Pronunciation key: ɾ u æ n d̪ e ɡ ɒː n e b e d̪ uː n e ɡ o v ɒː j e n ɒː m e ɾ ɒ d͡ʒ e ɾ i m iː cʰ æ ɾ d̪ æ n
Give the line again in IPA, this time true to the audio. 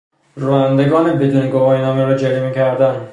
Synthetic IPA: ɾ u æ n d̪ e ɡ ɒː n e b e d̪ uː n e ɡ o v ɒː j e n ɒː m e ɾ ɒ d͡ʒ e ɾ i m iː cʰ æ ɾ d̪ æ n